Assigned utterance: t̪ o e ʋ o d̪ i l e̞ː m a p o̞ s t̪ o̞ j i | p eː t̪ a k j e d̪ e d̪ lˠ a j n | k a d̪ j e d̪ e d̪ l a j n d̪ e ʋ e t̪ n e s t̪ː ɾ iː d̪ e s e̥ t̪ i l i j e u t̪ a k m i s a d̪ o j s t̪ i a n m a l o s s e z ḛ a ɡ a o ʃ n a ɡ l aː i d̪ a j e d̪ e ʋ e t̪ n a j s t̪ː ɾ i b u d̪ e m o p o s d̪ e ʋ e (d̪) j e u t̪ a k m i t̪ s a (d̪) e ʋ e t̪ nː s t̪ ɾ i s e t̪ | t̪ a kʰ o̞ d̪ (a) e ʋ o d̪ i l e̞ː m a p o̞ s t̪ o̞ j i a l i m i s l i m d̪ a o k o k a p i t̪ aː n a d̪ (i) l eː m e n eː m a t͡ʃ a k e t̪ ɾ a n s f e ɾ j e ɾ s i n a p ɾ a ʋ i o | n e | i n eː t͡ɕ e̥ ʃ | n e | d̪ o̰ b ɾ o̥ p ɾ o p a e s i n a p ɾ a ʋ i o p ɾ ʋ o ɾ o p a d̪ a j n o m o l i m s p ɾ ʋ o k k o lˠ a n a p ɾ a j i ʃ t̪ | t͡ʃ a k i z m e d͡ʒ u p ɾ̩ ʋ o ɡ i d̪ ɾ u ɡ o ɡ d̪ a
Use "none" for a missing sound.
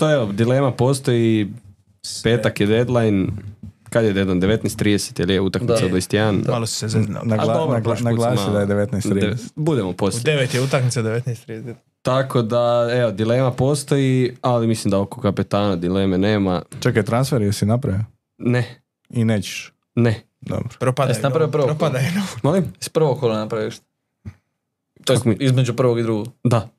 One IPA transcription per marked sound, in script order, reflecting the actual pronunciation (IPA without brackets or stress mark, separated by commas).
t̪, d̪, a, i